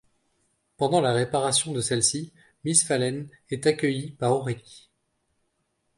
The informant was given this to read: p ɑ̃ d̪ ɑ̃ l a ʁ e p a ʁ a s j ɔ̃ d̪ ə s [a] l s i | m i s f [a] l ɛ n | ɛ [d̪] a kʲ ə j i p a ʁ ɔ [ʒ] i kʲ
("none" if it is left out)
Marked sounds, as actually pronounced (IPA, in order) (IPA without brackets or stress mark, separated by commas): ɛ, a, t̪, ʁ